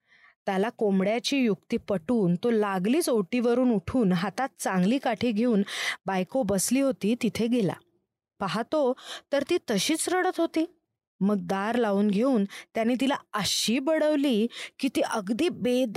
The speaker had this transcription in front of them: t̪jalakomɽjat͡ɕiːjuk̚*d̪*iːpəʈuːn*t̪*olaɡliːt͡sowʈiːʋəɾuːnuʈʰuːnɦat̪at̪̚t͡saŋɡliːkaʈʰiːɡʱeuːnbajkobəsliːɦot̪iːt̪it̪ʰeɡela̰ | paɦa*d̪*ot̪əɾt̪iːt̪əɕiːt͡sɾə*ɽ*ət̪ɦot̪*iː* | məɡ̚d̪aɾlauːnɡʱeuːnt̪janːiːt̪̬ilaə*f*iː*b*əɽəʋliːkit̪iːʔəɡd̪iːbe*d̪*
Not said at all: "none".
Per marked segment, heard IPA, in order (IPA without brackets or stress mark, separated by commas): t̪, t̪, t̪, ɽ, iː, ɕ, b, d̪